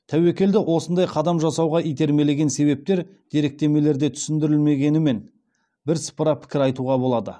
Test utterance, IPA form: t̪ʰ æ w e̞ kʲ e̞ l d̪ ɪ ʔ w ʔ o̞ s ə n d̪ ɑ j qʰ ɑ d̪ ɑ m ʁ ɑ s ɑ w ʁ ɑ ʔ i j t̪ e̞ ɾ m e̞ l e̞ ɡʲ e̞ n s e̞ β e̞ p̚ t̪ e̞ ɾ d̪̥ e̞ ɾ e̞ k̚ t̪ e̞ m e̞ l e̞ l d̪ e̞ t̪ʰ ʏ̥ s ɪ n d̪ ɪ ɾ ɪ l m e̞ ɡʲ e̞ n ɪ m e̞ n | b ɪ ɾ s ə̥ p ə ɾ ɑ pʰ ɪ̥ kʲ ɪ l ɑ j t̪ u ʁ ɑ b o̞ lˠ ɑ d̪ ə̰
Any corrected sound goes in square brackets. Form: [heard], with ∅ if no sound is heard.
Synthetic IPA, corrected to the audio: t̪ʰ æ w e̞ kʲ e̞ l d̪ ɪ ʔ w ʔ o̞ s ə n d̪ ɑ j qʰ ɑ d̪ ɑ m [ʒ] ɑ s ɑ w ʁ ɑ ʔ i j t̪ e̞ ɾ m e̞ l e̞ ɡʲ e̞ n s e̞ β e̞ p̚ t̪ e̞ ɾ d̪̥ e̞ ɾ e̞ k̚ t̪ e̞ m e̞ l e̞ [ɾ] d̪ e̞ t̪ʰ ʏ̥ s ɪ n d̪ ɪ ɾ ɪ l m e̞ ɡʲ e̞ n ɪ m e̞ n | b ɪ ɾ s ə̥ p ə ɾ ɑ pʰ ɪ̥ kʲ ɪ [ɾ] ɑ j t̪ u ʁ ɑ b o̞ lˠ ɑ d̪ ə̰